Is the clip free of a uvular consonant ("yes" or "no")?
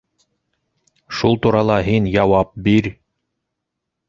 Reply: yes